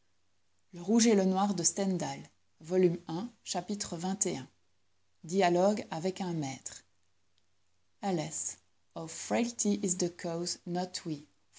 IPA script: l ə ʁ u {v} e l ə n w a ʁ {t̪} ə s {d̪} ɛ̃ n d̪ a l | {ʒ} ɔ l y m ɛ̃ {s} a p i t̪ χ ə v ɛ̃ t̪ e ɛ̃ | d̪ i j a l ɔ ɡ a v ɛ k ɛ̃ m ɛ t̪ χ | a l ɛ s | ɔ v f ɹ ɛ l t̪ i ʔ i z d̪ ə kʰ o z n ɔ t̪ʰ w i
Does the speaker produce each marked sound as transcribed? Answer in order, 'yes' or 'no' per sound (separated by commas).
no, no, no, no, no